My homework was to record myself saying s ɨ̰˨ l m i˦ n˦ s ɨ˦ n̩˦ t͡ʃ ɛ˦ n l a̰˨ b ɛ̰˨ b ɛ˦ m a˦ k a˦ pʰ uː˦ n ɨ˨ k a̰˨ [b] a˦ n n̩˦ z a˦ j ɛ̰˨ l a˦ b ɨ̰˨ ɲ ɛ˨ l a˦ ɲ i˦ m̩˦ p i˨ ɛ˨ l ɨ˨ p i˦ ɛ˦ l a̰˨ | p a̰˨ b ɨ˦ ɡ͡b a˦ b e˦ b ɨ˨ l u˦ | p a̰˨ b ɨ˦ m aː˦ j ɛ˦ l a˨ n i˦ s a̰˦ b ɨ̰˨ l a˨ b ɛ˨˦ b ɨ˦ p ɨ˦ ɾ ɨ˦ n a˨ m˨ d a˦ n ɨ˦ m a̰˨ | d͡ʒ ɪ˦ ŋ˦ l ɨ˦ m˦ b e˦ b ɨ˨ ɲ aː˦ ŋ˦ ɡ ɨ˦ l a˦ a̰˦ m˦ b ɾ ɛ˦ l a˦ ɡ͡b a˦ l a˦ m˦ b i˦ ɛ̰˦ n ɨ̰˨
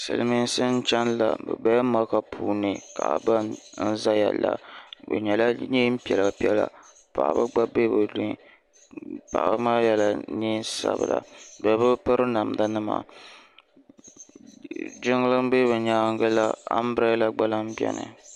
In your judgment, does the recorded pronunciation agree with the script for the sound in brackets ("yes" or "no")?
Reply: yes